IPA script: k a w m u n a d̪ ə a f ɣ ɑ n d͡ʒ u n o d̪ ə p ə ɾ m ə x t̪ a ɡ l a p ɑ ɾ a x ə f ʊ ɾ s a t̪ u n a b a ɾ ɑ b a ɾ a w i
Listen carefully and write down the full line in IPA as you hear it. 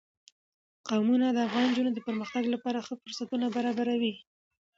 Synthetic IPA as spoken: q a w m u n a d̪ ə a f ɣ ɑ n d͡ʒ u n o d̪ ə p ə ɾ m ə x t̪ a ɡ l a p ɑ ɾ a x ə f ʊ ɾ s a t̪ u n a b a ɾ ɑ b a ɾ a w i